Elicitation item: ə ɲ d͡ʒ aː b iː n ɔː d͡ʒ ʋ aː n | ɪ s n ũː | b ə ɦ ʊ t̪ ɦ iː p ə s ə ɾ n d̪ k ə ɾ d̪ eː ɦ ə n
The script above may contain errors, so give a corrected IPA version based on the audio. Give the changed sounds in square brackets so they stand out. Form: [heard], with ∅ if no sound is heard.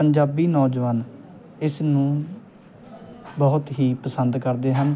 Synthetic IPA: ə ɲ d͡ʒ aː b iː n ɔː d͡ʒ ʋ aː n | ɪ s n ũː | b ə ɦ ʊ t̪ ɦ iː p ə s ə [∅] n d̪ k ə ɾ d̪ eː ɦ ə n